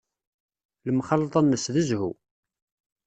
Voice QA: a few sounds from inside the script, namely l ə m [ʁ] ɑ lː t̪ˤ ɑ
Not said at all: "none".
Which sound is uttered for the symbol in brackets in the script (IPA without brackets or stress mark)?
χ